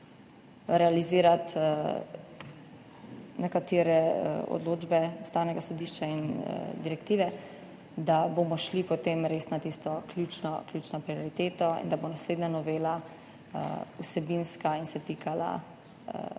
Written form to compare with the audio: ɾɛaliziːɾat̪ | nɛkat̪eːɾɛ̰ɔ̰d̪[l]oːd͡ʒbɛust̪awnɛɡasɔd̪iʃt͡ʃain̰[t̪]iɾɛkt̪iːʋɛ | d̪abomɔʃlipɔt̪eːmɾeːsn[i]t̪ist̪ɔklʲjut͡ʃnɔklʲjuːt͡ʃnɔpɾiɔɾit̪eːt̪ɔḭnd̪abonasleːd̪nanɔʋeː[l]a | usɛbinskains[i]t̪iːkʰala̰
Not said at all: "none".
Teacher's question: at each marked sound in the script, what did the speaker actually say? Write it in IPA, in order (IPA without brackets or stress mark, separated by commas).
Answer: l, d̪, a, l, ɛ